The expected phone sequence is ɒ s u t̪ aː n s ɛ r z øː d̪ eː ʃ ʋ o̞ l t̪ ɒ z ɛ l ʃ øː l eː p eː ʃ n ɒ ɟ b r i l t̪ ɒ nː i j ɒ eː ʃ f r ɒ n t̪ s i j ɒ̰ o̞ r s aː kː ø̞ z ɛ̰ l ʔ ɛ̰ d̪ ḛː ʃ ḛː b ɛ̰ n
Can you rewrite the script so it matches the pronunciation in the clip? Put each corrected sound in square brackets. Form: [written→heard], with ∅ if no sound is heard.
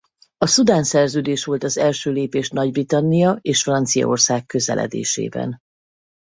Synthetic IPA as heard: ɒ s u [t̪→d̪] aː n s ɛ r z øː d̪ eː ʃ ʋ o̞ l t̪ ɒ z ɛ l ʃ øː l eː p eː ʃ n ɒ ɟ b r i [l→∅] t̪ ɒ nː i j ɒ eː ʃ f r ɒ n t̪ s i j ɒ̰ o̞ r s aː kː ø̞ z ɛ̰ l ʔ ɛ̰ d̪ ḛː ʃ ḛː b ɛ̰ n

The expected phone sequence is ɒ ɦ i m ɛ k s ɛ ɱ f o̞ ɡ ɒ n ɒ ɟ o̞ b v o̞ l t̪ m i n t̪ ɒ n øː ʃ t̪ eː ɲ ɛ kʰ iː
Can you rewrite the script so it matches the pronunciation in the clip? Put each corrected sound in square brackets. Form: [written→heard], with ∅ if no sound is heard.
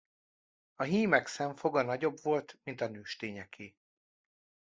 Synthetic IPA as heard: ɒ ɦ [i→iː] m ɛ k s ɛ ɱ f o̞ ɡ ɒ n ɒ ɟ o̞ b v o̞ l t̪ m i n t̪ ɒ n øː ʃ t̪ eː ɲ ɛ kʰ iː

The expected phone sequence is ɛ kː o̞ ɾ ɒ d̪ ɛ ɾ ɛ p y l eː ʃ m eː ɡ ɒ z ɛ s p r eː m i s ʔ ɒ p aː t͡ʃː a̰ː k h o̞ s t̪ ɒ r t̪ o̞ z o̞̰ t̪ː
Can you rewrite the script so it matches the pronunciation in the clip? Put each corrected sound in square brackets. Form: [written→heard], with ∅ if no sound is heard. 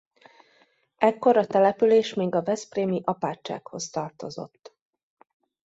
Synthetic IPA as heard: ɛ kː o̞ ɾ ɒ [d̪→t̪] ɛ [ɾ→l] ɛ p y l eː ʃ m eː ɡ ɒ [z→v] ɛ s p r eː m i [s→∅] ʔ ɒ p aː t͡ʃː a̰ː k h o̞ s t̪ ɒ r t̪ o̞ z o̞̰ t̪ː

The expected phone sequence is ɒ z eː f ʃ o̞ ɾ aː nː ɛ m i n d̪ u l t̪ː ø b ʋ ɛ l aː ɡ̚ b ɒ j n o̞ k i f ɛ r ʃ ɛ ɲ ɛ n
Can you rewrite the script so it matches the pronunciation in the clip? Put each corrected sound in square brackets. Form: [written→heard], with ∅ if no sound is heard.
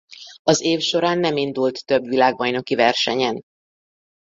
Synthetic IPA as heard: ɒ z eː f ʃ o̞ ɾ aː nː ɛ m i n d̪ u l t̪ː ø b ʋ [ɛ→i] l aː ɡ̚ b ɒ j n o̞ k i [f→v] ɛ r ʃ ɛ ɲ ɛ n

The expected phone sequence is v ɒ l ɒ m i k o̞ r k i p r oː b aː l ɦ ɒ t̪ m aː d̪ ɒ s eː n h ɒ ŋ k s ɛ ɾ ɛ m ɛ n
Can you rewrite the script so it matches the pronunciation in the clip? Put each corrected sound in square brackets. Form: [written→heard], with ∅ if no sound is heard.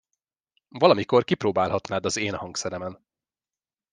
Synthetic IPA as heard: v ɒ l ɒ m i k o̞ r k i p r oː b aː l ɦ ɒ t̪ [m→n] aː d̪ ɒ [s→z] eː n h ɒ ŋ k s ɛ ɾ ɛ m ɛ n

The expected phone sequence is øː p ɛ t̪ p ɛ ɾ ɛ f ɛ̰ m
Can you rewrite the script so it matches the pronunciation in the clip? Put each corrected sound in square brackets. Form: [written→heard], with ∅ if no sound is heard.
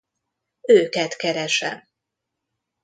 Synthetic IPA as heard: øː [p→k] ɛ t̪ [p→k] ɛ ɾ ɛ [f→ʃ] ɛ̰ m

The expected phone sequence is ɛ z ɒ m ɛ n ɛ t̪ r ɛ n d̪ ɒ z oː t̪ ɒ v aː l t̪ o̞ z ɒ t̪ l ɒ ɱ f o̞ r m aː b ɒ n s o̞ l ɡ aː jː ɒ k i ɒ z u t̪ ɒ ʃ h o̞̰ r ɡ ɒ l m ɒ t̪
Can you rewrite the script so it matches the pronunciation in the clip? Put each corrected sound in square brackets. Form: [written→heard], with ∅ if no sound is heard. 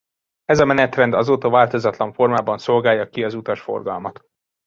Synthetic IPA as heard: ɛ z ɒ m ɛ n ɛ t̪ r ɛ n d̪ ɒ z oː t̪ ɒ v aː l t̪ o̞ z ɒ t̪ l ɒ ɱ f o̞ r m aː b ɒ n s o̞ l ɡ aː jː ɒ k i ɒ z u t̪ ɒ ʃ [h→f] o̞̰ r ɡ ɒ l m ɒ t̪

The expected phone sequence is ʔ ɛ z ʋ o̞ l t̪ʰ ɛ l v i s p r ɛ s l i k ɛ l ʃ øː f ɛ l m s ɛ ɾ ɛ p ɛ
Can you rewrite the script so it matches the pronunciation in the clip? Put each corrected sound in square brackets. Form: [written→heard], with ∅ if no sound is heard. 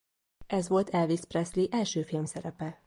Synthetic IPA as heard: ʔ ɛ z ʋ o̞ l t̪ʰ ɛ l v i s p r ɛ s l i [k→ʔ] ɛ l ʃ øː f [ɛ→i] l m s ɛ ɾ ɛ p ɛ

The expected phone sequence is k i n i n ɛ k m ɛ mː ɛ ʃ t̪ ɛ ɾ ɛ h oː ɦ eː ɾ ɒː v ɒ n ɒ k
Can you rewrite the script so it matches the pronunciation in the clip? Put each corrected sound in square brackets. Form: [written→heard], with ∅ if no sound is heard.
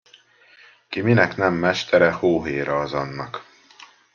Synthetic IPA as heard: k i [n→m] i n ɛ k [m→n] ɛ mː ɛ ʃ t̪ ɛ ɾ ɛ h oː ɦ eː ɾ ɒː [v→z] ɒ [n→nː] ɒ k

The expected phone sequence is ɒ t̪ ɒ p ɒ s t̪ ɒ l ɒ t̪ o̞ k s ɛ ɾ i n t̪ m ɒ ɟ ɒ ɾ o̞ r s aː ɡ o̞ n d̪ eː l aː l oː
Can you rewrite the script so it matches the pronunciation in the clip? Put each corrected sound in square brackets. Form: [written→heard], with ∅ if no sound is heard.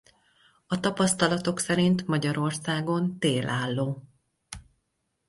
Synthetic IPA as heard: ɒ t̪ ɒ p ɒ s t̪ ɒ l ɒ t̪ o̞ k s ɛ ɾ i n t̪ m ɒ ɟ ɒ ɾ o̞ r s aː ɡ o̞ n [d̪→t̪] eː l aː [l→lː] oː

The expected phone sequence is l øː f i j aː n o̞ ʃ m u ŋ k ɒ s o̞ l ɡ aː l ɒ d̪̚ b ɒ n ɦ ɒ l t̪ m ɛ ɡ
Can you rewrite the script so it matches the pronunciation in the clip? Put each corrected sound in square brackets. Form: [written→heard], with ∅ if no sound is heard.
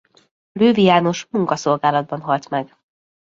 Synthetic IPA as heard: l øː [f→v] i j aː n o̞ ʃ m u ŋ k ɒ s o̞ l ɡ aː l ɒ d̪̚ b ɒ n ɦ ɒ l t̪ m ɛ ɡ

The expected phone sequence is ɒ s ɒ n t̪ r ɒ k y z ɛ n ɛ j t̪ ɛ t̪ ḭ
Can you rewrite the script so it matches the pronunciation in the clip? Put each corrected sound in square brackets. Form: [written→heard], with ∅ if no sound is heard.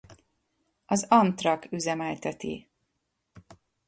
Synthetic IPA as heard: ɒ [s→z] ɒ n t̪ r ɒ k y z ɛ [n→m] ɛ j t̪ ɛ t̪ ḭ

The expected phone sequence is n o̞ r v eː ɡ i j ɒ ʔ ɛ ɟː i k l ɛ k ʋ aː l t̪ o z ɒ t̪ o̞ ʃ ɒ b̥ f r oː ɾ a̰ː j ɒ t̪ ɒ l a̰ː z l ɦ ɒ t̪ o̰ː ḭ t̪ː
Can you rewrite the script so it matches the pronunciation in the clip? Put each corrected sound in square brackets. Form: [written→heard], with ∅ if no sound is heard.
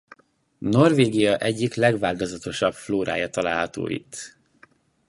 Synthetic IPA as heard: n o̞ r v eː ɡ i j ɒ ʔ ɛ ɟː i k l ɛ [k→ɡ] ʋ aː l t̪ o z ɒ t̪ o̞ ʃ ɒ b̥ f [r→l] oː ɾ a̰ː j ɒ t̪ ɒ l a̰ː [z→∅] l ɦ ɒ t̪ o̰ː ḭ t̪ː

